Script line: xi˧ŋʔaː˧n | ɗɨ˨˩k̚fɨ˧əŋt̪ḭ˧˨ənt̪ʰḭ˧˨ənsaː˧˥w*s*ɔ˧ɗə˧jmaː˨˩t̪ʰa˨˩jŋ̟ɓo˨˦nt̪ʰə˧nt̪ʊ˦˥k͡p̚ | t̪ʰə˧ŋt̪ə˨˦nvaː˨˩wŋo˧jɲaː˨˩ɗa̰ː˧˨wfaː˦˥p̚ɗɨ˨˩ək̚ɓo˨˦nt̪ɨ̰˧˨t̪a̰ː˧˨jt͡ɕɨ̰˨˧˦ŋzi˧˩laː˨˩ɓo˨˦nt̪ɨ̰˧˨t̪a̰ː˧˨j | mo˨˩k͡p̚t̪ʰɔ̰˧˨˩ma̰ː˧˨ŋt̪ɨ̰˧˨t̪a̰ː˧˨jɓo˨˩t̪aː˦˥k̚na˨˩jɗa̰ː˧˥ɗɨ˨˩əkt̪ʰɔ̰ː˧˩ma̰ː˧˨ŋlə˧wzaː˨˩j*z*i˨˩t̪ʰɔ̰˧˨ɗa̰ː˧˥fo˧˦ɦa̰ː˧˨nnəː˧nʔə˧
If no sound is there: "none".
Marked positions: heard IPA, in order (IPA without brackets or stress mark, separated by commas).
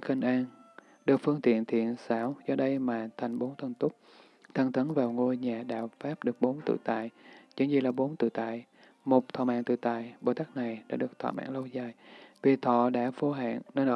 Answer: z, v